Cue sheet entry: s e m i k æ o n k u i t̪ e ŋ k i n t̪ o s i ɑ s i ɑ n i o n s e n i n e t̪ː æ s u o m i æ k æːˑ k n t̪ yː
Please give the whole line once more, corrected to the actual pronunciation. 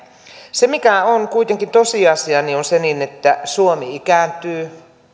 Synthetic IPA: s e m i k æ o n k u i t̪ e ŋ k i n t̪ o s i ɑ s i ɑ n i o n s e n i n e t̪ː æ s u o m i i k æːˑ n t̪ yː